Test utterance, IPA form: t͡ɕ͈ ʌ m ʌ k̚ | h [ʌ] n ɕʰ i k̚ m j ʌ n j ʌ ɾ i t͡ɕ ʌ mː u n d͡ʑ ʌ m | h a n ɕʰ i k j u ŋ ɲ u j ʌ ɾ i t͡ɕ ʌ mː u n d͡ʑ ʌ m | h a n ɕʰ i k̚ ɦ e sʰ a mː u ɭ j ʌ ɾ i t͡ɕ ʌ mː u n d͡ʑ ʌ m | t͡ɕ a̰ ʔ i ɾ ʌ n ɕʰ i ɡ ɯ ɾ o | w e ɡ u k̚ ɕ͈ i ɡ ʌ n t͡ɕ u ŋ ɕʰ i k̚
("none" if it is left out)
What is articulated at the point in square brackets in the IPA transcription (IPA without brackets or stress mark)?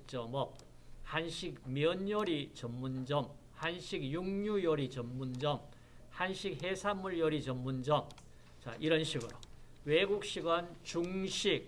a